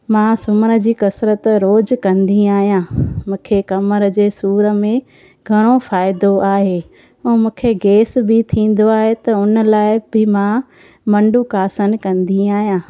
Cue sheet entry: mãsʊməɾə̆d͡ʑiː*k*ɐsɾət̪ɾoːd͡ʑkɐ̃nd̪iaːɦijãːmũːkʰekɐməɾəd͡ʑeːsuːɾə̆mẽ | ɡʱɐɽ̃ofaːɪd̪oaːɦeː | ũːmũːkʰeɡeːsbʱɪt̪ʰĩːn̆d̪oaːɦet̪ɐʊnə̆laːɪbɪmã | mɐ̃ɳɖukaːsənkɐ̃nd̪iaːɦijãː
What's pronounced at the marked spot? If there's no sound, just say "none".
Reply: k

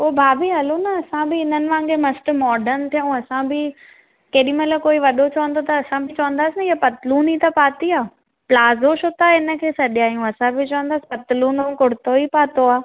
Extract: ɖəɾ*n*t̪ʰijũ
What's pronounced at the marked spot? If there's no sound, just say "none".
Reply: n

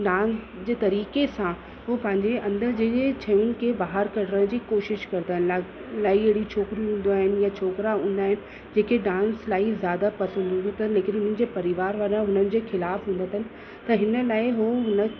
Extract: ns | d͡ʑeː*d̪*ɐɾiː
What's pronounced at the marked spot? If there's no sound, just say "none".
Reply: t̪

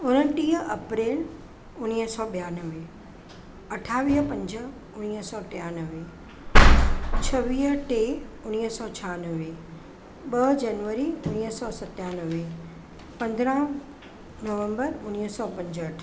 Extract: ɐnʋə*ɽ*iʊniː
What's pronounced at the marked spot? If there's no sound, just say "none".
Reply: ɾ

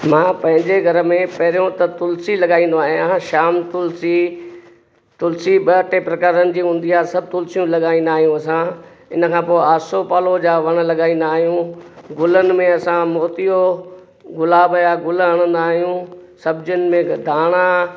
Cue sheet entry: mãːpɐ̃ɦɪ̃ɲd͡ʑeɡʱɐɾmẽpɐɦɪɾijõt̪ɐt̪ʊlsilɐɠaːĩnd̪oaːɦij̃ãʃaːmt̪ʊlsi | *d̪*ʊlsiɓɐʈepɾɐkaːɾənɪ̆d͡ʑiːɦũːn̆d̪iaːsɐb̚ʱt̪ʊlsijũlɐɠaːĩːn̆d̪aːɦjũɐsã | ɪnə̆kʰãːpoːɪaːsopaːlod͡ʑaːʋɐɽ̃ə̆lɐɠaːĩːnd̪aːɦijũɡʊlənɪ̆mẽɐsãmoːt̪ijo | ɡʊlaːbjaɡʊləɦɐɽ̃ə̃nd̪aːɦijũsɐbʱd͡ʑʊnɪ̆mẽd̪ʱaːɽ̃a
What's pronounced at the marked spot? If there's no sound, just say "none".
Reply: t̪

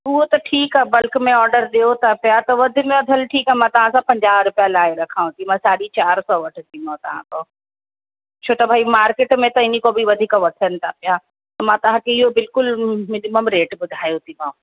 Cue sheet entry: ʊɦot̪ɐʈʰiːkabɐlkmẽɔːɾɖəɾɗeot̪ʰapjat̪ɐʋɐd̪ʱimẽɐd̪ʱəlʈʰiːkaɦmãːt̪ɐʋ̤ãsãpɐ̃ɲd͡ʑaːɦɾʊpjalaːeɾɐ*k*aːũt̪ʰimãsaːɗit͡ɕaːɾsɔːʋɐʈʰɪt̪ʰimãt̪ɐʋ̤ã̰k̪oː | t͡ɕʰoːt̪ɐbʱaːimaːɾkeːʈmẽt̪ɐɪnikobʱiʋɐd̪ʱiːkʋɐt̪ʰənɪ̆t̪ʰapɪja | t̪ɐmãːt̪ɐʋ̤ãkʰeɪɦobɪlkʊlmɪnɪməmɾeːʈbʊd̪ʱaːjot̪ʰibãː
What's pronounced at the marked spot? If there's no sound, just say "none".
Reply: kʰ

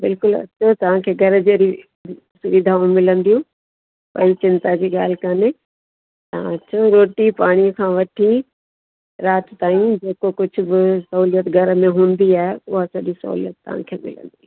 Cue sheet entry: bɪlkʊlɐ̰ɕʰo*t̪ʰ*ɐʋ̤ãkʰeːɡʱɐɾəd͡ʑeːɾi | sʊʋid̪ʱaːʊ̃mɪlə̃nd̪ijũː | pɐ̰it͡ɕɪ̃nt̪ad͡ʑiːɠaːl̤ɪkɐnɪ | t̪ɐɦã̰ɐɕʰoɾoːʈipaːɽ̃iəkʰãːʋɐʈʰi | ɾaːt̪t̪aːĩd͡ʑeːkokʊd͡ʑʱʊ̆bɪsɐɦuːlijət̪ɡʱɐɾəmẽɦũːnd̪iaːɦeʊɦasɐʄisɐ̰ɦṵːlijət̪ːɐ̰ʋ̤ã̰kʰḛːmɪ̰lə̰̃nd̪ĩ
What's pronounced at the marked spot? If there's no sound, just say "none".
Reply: t̪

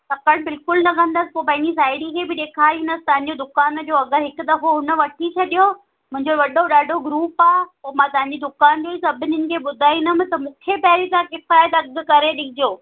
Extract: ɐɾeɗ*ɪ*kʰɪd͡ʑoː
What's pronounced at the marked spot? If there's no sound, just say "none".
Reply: ɪ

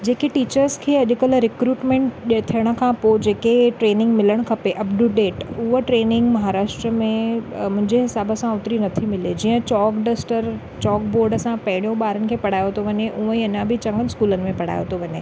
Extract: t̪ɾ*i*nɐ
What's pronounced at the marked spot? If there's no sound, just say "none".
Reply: i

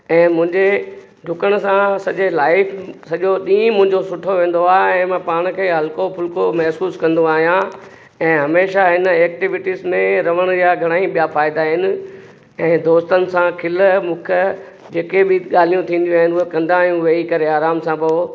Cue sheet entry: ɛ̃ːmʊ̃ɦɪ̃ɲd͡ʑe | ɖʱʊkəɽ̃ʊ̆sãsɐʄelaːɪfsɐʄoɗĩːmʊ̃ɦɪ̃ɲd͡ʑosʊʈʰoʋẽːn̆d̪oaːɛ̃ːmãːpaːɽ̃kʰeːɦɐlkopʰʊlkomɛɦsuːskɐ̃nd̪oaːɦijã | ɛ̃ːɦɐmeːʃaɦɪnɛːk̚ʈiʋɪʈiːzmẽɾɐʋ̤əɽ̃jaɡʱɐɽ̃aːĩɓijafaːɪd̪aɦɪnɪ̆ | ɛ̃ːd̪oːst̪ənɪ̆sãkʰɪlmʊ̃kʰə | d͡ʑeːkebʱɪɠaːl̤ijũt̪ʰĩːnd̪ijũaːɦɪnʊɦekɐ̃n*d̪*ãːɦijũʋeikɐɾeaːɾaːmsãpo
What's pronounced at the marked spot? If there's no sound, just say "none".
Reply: d̪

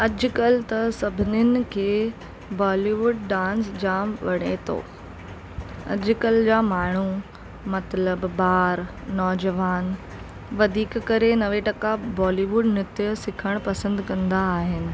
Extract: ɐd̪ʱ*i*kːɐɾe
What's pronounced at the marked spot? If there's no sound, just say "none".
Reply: iː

